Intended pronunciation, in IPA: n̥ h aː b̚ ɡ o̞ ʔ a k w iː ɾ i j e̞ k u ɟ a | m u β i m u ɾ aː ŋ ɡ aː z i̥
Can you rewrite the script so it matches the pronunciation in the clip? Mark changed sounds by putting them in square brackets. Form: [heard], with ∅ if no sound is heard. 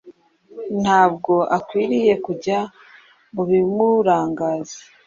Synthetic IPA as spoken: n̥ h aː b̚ ɡ o̞ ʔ a k w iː ɾ i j e̞ k u ɟ a | m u β i m u ɾ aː ŋ ɡ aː z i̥